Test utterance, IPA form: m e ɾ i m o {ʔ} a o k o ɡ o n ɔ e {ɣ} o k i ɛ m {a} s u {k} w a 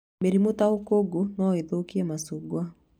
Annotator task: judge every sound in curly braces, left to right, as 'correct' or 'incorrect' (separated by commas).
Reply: incorrect, incorrect, correct, incorrect